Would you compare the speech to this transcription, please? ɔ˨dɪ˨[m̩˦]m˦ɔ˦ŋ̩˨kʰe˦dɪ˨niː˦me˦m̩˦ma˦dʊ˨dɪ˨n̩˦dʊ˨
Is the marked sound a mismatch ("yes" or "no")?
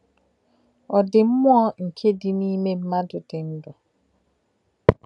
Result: no